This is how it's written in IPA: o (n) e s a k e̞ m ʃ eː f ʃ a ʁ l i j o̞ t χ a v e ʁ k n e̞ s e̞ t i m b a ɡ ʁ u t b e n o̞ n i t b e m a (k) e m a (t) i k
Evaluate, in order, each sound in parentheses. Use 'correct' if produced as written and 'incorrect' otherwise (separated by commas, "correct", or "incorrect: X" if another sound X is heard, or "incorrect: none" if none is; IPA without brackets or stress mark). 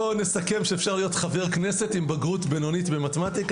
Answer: correct, incorrect: t, correct